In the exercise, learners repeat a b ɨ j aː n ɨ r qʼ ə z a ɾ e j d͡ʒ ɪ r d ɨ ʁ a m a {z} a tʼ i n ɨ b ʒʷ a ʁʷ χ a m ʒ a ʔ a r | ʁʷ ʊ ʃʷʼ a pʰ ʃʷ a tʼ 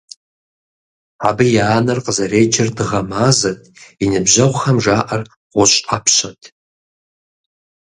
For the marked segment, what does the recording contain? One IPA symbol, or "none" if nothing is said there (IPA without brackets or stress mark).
z